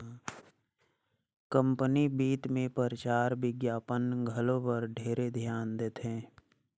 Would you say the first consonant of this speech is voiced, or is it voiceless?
voiceless